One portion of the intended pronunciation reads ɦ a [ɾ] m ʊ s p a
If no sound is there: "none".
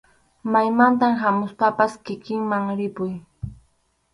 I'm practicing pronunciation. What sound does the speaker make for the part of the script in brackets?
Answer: none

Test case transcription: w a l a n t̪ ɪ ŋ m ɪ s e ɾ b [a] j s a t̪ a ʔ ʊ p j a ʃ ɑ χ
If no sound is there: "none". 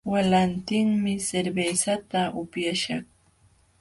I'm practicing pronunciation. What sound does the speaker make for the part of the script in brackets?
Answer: e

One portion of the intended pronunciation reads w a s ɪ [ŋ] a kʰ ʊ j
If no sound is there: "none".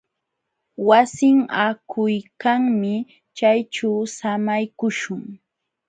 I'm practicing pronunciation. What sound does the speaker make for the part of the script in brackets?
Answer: ŋ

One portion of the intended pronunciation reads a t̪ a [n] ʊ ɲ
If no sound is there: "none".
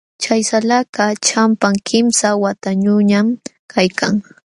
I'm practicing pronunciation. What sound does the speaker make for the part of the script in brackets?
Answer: ɲ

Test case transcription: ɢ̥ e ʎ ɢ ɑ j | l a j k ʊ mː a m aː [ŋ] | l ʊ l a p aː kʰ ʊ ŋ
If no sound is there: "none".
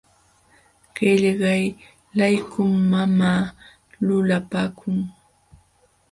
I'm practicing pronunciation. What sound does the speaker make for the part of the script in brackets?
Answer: none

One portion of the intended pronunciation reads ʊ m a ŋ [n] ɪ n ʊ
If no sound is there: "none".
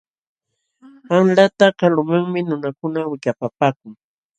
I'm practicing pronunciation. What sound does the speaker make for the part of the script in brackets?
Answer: m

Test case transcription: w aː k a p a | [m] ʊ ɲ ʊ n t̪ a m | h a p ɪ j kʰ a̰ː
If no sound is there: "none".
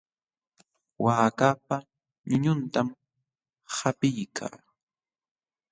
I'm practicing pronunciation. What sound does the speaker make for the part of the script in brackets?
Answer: ɲ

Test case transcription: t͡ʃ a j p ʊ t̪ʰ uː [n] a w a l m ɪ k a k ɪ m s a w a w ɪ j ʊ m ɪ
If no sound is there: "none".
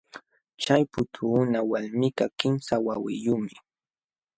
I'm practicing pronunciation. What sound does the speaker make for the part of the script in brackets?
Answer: n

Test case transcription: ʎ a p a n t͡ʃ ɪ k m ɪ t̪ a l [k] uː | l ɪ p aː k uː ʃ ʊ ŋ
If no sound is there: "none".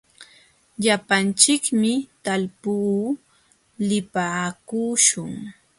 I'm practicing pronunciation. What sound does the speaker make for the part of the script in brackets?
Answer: p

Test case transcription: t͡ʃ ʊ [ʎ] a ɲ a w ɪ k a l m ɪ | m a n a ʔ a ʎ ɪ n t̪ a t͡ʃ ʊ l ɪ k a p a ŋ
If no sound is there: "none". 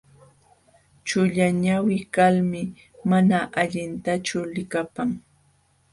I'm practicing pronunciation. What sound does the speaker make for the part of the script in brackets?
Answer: ʎ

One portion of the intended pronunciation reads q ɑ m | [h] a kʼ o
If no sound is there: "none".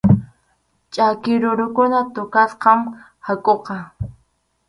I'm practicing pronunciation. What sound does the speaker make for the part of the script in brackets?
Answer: h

